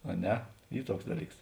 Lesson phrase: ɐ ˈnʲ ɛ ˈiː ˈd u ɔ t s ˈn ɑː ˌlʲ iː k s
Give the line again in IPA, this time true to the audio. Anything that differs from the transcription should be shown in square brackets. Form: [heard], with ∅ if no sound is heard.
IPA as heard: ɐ ˈnʲ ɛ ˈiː [ˈt] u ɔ [k] s [ˈd] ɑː ˌlʲ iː k s